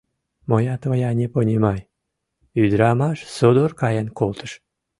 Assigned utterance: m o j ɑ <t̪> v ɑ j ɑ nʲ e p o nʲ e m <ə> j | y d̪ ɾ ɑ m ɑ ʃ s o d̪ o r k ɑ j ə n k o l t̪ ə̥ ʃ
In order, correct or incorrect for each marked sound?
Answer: correct, incorrect

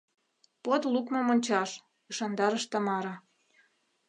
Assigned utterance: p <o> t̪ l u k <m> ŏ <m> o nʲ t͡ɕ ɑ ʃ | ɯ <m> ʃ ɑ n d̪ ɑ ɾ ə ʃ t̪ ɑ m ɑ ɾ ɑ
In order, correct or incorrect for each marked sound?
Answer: correct, correct, correct, incorrect

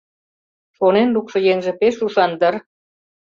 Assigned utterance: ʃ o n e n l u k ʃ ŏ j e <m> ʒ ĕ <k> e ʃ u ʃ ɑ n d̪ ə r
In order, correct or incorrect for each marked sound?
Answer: incorrect, incorrect

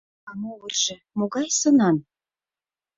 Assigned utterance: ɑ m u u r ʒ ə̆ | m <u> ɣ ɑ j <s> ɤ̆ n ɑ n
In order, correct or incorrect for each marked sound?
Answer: incorrect, correct

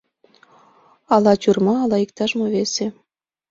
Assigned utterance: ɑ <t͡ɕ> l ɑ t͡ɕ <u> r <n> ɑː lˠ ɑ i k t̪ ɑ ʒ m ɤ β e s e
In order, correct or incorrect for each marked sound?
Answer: incorrect, correct, incorrect

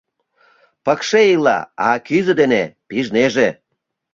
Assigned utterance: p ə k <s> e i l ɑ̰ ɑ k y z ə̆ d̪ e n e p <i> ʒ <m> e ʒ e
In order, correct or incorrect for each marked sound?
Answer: incorrect, correct, incorrect

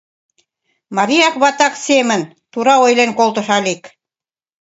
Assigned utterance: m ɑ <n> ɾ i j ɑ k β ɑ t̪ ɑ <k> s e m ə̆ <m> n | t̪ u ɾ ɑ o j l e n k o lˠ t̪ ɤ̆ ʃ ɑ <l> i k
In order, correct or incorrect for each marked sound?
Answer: incorrect, correct, incorrect, correct

